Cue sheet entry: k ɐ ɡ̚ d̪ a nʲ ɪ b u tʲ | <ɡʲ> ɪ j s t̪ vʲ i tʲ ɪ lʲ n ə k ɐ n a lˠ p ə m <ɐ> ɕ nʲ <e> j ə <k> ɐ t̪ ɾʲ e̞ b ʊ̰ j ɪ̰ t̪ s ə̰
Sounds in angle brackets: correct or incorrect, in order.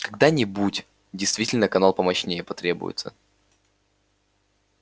incorrect: dʲ, correct, correct, incorrect: p

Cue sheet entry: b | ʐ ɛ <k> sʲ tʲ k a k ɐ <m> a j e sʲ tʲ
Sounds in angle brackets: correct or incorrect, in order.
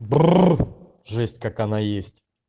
incorrect: none, incorrect: n

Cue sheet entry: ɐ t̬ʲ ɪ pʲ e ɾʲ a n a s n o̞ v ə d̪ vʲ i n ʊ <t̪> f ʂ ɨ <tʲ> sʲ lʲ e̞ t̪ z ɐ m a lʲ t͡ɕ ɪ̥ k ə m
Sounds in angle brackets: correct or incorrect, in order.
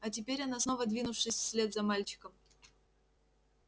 incorrect: none, incorrect: sʲ

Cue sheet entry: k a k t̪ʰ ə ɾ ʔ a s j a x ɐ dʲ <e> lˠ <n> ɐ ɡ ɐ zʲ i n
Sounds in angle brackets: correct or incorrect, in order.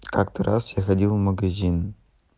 incorrect: i, incorrect: m

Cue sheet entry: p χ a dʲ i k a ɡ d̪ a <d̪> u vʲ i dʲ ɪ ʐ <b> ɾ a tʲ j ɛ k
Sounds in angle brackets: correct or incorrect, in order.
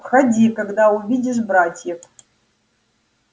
incorrect: none, correct

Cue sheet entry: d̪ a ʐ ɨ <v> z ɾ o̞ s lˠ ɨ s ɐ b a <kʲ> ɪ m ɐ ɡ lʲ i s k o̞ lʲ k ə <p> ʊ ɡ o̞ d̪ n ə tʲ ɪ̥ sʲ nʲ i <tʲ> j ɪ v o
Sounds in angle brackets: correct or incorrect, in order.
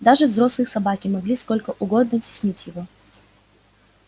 correct, correct, incorrect: ʔ, correct

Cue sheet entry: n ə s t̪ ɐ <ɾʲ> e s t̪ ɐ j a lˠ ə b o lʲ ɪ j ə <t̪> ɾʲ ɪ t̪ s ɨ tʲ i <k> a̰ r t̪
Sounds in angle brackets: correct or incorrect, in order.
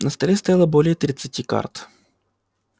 incorrect: lʲ, correct, correct

